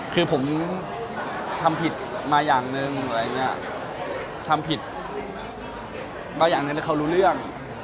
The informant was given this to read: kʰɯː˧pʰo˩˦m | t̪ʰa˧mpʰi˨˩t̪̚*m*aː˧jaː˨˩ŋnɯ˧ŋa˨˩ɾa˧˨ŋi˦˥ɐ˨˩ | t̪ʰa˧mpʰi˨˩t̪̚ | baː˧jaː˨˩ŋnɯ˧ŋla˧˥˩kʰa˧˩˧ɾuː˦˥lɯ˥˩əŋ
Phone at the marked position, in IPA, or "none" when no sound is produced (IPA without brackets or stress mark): m